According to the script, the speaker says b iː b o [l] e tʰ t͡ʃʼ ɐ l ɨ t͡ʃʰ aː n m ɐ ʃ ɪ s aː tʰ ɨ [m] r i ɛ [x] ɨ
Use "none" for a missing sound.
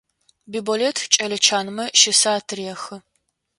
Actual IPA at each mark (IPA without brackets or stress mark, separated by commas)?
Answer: l, none, x